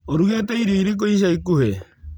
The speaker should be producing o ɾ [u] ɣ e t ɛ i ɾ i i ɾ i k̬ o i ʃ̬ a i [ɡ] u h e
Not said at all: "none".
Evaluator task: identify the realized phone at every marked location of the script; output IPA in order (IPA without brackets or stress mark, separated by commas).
u, k